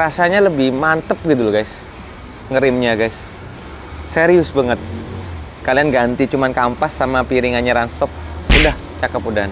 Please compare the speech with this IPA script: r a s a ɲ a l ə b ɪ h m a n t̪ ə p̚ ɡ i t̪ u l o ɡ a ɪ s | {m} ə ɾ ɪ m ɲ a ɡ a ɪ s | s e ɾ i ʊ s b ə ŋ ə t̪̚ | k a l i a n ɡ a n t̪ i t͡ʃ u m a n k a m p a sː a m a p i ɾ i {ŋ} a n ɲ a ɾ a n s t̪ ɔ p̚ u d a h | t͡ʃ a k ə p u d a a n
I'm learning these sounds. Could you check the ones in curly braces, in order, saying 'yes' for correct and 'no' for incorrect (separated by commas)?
no, yes